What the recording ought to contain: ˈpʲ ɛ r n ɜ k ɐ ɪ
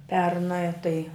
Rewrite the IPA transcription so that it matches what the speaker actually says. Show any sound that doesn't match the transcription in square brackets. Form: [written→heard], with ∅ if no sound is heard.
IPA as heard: ˈpʲ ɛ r n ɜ [k→t] ɐ ɪ